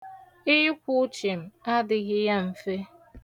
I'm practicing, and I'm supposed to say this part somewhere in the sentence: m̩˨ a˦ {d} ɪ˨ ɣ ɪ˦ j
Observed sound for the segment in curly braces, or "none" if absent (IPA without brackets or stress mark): d